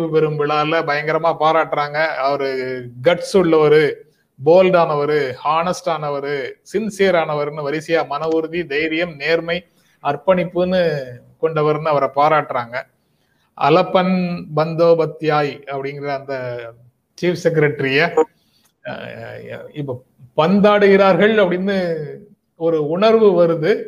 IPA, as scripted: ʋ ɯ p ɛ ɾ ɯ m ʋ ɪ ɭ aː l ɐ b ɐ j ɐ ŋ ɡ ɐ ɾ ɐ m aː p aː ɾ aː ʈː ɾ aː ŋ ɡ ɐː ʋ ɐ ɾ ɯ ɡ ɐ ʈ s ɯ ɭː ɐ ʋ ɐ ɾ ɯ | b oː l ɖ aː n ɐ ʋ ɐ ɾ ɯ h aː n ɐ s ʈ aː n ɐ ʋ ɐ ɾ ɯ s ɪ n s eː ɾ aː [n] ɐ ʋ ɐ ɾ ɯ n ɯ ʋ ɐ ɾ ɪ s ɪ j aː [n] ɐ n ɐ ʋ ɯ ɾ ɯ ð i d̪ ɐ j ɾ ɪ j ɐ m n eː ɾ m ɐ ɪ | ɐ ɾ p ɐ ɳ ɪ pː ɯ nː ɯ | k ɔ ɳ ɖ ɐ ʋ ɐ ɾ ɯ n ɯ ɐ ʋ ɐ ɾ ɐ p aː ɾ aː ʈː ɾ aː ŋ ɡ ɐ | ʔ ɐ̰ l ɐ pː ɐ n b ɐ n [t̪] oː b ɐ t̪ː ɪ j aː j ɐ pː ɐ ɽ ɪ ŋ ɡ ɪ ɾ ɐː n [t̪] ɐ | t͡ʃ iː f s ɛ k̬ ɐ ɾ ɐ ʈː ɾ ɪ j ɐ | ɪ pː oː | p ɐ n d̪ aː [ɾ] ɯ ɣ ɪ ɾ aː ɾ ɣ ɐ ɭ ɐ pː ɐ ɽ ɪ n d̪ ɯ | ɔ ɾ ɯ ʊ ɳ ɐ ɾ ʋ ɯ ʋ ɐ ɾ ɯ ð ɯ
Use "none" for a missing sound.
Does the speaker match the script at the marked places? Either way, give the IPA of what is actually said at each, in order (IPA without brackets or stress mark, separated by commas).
n, m, d̪, d̪, ɽ